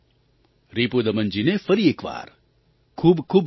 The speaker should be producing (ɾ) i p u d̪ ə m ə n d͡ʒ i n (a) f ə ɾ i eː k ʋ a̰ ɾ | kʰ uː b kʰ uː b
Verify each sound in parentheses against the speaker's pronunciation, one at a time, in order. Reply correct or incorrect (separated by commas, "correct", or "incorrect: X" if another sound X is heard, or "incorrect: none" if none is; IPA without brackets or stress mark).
correct, incorrect: e